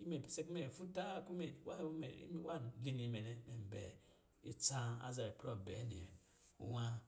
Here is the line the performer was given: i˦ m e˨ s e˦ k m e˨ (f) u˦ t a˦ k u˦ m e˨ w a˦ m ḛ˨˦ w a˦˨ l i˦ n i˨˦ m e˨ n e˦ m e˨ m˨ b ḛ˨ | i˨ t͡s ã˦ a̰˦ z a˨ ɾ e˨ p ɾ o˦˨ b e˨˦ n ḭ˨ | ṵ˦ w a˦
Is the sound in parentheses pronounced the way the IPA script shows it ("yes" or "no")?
yes